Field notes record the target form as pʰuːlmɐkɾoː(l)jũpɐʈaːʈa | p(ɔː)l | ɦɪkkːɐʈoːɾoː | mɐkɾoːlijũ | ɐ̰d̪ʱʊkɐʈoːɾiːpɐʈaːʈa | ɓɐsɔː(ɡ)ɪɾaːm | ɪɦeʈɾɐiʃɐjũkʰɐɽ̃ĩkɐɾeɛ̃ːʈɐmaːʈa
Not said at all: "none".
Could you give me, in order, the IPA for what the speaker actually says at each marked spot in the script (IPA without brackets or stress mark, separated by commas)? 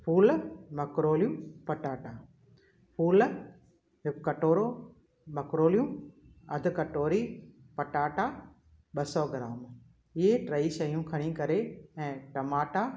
l, uː, ɡ